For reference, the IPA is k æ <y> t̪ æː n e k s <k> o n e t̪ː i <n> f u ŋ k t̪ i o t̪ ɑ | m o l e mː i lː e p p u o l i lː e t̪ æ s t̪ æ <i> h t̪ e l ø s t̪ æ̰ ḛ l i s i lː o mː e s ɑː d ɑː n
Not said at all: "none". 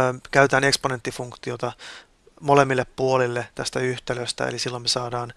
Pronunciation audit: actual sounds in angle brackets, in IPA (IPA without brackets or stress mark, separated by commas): y, p, none, y